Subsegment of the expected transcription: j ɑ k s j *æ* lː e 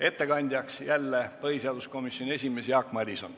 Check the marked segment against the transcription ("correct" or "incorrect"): correct